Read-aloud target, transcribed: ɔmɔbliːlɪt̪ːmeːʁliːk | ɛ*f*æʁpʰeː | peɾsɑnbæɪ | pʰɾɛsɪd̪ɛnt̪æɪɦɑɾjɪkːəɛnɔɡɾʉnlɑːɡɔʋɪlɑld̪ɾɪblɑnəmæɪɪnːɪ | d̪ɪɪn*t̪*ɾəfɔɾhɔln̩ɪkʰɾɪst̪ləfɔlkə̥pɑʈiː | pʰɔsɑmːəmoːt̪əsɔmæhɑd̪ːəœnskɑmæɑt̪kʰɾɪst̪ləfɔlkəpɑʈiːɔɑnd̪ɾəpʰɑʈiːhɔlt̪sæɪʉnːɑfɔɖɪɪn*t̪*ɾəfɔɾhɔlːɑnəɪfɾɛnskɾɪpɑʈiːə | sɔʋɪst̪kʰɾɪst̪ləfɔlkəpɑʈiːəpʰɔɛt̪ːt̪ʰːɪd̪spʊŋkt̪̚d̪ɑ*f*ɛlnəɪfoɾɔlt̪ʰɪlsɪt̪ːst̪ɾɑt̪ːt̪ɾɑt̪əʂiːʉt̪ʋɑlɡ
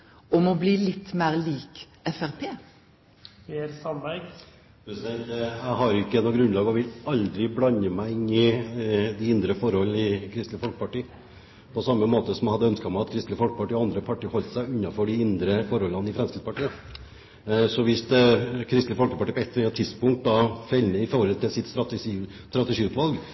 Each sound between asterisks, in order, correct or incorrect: correct, incorrect: d̪, incorrect: d̪, correct

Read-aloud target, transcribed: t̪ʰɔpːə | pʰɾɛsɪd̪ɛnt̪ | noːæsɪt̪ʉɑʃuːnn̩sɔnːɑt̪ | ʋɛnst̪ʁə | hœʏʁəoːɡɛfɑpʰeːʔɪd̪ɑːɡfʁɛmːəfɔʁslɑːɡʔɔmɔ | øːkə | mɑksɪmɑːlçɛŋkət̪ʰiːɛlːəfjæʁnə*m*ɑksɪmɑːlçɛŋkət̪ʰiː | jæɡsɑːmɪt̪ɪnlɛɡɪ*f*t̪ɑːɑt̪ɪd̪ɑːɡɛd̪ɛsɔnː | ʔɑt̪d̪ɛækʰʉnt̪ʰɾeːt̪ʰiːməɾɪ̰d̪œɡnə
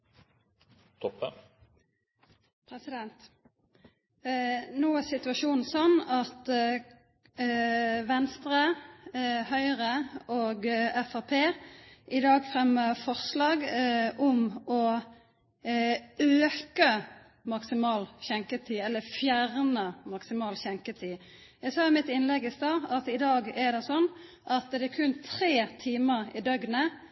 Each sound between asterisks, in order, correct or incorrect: correct, incorrect: s

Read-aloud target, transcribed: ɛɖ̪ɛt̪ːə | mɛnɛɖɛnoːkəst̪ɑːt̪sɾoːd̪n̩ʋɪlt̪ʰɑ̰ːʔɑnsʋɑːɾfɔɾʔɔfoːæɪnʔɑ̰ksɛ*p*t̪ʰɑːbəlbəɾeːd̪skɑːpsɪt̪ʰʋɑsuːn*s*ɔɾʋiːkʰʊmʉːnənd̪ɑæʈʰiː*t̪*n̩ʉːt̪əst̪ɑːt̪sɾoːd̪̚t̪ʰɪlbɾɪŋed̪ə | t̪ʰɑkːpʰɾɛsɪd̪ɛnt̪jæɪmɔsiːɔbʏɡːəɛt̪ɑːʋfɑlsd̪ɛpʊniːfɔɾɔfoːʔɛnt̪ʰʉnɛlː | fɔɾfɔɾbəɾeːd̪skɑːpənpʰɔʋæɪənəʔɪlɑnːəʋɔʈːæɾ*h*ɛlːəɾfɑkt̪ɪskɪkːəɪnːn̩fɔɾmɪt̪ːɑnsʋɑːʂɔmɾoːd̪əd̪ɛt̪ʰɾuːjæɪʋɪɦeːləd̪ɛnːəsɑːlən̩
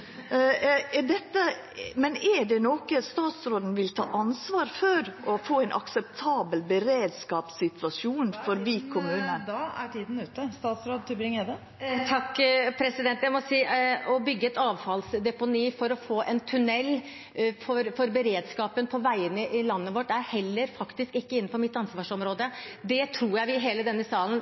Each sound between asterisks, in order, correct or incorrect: correct, incorrect: f, incorrect: d̪, correct

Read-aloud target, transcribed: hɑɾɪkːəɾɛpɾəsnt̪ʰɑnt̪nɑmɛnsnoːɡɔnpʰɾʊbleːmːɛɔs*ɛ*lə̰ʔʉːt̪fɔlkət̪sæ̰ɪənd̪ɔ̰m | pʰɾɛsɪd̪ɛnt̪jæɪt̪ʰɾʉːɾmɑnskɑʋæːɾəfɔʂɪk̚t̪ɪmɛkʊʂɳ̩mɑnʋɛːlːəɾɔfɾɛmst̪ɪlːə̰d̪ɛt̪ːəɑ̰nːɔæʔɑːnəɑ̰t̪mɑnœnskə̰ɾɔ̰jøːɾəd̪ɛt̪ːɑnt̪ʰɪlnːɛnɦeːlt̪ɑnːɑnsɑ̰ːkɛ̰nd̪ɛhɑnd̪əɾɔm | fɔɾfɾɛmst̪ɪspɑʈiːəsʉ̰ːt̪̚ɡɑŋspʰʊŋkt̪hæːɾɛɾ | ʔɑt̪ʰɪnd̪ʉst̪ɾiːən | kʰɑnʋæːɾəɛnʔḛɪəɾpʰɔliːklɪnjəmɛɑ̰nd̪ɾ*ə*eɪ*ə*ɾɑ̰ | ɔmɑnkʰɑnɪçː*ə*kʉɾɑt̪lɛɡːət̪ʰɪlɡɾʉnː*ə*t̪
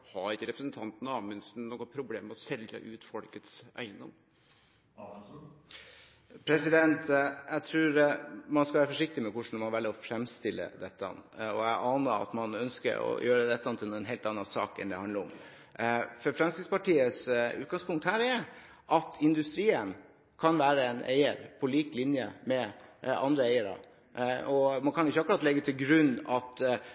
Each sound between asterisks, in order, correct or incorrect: correct, correct, correct, incorrect: ɑ, incorrect: ɑ

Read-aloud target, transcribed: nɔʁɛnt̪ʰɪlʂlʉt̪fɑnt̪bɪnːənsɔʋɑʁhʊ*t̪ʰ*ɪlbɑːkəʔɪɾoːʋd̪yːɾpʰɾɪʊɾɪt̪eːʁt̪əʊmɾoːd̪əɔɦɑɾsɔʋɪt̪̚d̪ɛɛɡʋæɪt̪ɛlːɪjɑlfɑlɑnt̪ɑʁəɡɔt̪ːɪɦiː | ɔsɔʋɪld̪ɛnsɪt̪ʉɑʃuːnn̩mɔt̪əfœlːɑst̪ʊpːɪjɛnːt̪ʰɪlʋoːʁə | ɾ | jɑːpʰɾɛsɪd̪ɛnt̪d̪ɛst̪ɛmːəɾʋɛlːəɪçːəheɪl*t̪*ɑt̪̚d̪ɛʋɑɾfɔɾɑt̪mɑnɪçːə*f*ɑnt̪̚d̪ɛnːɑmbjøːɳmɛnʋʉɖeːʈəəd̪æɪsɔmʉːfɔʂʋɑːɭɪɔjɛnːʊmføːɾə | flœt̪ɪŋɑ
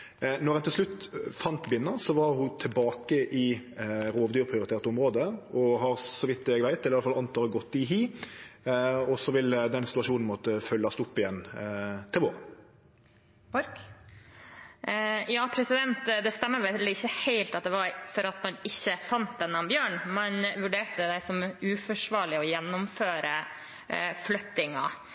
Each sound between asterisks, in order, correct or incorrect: correct, correct, correct

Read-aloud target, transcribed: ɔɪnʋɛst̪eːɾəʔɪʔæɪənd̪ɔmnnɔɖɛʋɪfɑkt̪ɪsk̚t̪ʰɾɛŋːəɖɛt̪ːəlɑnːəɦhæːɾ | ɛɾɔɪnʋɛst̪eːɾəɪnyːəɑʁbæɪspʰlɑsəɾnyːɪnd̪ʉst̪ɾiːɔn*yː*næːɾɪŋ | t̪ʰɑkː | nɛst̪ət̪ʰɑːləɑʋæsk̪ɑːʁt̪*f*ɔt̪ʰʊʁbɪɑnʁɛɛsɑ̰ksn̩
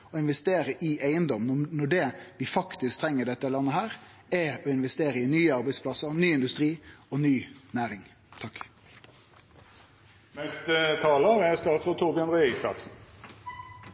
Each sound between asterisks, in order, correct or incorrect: correct, correct

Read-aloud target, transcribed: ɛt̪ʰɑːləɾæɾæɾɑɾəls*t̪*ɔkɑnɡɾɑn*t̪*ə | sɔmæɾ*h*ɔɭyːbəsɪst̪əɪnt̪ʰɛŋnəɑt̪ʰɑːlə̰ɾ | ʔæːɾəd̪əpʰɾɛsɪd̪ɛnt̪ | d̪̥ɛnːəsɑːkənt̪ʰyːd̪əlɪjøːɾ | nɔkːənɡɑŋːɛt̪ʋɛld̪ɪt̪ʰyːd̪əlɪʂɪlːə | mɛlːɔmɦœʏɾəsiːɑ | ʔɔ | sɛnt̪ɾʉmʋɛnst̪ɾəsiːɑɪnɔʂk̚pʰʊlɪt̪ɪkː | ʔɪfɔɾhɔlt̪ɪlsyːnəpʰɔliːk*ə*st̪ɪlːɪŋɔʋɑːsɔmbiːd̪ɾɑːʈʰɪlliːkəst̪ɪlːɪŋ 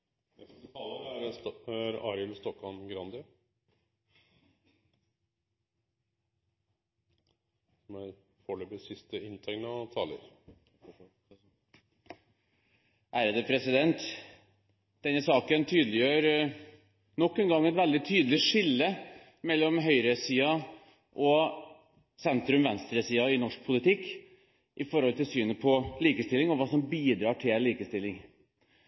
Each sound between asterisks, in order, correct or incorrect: correct, incorrect: d̪, incorrect: f, correct

